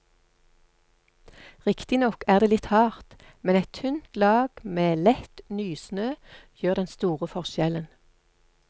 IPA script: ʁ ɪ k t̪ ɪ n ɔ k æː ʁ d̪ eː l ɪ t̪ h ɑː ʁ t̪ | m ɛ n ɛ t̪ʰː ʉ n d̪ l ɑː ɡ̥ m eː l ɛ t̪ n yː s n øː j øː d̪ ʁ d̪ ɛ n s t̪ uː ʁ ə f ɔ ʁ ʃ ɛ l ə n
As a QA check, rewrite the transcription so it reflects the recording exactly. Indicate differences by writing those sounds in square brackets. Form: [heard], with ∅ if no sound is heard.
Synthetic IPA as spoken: ʁ ɪ k t̪ ɪ n ɔ k æː ʁ d̪ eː l ɪ t̪ h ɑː ʁ t̪ | m ɛ n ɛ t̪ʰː ʉ n [t̪] l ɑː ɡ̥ m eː l ɛ t̪ n yː s n øː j øː [∅] ʁ d̪ ɛ n s t̪ uː ʁ ə f ɔ ʁ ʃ ɛ l ə n